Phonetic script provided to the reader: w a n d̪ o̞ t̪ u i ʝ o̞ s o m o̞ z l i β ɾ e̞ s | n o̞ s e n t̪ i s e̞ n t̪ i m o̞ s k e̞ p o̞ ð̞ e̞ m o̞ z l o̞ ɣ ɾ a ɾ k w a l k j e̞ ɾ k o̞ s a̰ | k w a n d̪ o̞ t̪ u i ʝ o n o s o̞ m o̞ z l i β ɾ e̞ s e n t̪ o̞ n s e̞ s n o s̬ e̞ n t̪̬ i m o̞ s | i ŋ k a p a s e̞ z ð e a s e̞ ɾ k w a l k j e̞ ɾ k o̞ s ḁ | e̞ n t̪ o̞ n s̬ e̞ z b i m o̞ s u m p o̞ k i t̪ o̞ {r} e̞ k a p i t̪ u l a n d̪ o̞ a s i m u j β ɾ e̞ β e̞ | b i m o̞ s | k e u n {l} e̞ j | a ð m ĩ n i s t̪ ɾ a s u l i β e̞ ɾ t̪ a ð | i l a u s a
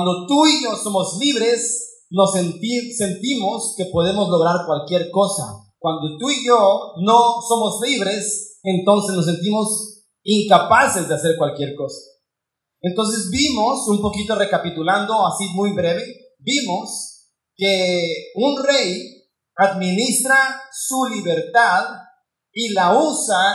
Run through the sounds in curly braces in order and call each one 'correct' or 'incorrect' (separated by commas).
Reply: correct, incorrect